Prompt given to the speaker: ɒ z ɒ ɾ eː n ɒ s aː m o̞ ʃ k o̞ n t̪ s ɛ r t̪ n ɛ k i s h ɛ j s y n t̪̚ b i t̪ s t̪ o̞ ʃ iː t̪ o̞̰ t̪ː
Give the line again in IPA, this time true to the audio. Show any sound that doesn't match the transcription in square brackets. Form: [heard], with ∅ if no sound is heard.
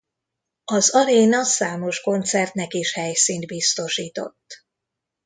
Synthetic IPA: ɒ z ɒ ɾ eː n ɒ s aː m o̞ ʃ k o̞ n t̪ s ɛ r t̪ n ɛ k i [ʃ] h ɛ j s [i] n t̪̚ b i [∅] s t̪ o̞ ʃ iː t̪ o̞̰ t̪ː